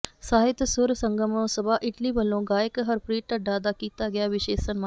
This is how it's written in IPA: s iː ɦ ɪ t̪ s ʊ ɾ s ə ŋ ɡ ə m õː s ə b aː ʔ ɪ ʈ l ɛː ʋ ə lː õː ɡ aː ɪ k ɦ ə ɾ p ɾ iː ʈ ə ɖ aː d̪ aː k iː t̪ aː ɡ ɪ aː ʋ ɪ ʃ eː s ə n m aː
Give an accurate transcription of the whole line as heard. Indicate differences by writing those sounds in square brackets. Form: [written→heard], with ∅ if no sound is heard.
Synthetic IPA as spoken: s [iː→aː] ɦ ɪ t̪ s ʊ ɾ s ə ŋ ɡ ə m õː s ə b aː ʔ ɪ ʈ l [ɛː→iː] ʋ ə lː õː ɡ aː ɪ k ɦ ə ɾ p ɾ iː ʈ ə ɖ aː d̪ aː k iː t̪ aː ɡ ɪ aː ʋ ɪ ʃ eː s ə n m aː